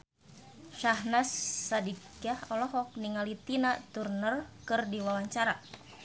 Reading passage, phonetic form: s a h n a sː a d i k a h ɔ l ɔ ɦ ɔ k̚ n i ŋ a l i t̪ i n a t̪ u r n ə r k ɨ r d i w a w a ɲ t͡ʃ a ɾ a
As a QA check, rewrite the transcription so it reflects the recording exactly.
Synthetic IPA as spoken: ʃ a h n a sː a d i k a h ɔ l ɔ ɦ ɔ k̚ n i ŋ a l i t̪ i n a t̪ u r n ə r k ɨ r d i w a w a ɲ t͡ʃ a ɾ a